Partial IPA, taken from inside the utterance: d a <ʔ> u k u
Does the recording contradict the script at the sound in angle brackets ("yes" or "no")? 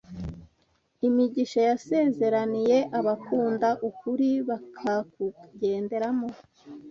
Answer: no